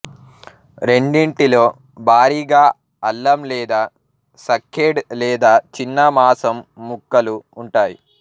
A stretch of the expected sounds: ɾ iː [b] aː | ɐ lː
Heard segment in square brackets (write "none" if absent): ɡ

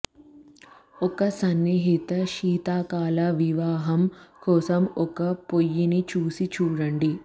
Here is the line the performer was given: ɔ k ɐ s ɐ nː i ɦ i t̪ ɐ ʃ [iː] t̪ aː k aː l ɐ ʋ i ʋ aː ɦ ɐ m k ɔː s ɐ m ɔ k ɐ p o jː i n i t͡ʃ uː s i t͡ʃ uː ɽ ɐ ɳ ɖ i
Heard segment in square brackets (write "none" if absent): iː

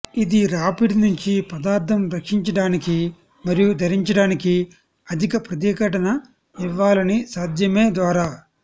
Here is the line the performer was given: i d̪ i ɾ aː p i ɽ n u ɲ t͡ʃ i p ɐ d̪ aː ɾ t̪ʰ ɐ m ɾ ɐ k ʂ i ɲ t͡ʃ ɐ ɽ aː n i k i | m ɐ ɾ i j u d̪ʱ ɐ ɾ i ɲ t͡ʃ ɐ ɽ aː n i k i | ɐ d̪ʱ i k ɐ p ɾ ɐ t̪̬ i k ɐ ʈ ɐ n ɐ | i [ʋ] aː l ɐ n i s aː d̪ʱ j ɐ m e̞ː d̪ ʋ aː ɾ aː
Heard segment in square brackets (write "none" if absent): ʋː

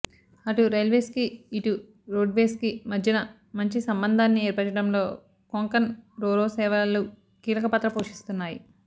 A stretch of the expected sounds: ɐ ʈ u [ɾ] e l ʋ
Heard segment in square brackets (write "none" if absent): ɾ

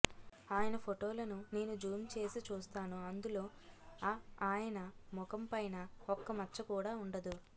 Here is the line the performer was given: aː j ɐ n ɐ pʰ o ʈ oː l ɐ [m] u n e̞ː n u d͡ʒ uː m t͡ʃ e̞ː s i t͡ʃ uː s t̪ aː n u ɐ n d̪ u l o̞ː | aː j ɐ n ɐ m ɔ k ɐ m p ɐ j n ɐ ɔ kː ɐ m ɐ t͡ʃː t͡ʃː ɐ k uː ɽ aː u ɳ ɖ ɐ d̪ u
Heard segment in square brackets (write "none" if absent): n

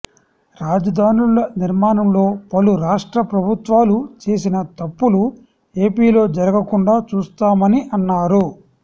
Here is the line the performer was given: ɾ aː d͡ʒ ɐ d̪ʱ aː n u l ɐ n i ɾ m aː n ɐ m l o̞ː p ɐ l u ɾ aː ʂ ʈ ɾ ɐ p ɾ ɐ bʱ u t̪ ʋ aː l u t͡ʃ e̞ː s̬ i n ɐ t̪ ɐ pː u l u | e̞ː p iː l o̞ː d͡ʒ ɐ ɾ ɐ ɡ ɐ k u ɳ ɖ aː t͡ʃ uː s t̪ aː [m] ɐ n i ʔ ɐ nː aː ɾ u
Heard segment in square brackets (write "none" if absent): m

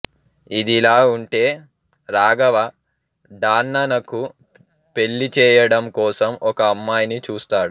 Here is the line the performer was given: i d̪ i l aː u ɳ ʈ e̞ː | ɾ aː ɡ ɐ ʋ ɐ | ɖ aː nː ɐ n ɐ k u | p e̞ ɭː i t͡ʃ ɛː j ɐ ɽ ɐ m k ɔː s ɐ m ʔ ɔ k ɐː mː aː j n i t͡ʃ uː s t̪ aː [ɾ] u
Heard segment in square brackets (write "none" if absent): ɽ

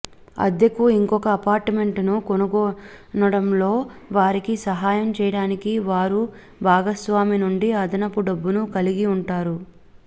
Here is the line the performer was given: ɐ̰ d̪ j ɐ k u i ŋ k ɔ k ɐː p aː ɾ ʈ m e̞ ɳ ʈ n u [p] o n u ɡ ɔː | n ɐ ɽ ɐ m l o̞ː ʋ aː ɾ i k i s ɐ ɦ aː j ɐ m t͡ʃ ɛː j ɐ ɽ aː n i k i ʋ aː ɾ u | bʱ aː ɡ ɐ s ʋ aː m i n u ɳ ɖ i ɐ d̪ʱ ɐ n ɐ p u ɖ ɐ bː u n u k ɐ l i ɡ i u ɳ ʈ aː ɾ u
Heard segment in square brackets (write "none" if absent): k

